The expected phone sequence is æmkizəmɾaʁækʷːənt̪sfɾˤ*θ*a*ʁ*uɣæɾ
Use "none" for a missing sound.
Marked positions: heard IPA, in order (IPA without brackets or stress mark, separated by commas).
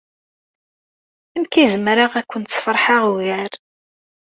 ħ, ʁ